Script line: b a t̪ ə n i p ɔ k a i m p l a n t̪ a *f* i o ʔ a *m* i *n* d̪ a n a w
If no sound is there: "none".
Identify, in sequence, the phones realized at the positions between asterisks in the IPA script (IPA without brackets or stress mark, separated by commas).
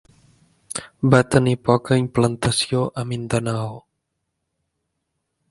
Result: s, m, n